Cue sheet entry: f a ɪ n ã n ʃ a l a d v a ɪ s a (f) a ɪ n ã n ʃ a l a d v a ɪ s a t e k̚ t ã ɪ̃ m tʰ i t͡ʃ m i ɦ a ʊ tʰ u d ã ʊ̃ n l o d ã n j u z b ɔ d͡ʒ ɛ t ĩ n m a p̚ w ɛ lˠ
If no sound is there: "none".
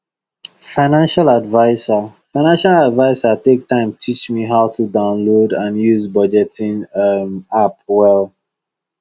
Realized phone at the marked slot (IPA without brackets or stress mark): f